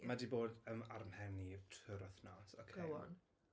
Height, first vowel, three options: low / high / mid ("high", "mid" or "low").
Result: low